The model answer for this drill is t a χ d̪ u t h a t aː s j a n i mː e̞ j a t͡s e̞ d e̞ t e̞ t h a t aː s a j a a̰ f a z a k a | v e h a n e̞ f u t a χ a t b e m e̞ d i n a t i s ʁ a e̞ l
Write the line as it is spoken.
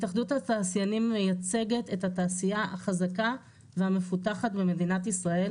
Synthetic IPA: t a χ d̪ u t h a t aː s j a n i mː e̞ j a t͡s e̞ ɡ e̞ t e̞ t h a t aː s i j a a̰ χ a z a k a | v e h a m e̞ f u t a χ a t b e m e̞ d i n a t i s ʁ a e̞ l